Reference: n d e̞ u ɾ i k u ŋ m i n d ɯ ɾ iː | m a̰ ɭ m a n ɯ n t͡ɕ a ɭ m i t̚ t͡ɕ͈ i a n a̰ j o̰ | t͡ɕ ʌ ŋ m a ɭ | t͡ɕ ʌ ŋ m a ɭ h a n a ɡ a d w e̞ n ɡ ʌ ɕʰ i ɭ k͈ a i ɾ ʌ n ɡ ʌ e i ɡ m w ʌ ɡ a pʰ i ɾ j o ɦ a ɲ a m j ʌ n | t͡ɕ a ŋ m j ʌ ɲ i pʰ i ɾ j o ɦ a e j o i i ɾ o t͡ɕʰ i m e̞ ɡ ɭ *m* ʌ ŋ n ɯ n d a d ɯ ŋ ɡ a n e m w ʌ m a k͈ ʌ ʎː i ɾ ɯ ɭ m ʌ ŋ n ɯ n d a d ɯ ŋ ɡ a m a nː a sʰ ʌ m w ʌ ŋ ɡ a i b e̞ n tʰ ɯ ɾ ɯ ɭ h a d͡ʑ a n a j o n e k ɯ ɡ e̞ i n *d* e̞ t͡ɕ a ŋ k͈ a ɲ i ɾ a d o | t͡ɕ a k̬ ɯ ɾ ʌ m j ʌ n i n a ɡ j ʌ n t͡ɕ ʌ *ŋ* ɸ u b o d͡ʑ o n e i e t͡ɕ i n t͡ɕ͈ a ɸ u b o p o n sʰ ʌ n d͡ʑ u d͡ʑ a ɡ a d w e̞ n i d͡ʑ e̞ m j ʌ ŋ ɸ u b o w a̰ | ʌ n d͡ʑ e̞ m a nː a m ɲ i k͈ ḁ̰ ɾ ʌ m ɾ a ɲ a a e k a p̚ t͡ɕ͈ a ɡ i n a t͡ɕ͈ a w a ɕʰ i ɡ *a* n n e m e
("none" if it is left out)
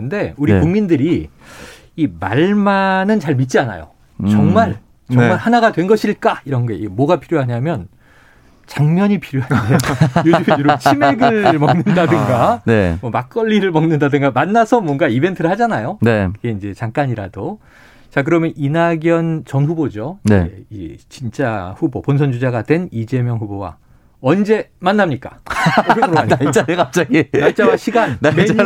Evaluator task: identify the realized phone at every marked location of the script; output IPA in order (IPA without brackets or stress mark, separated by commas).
m, d͡ʑ, n, a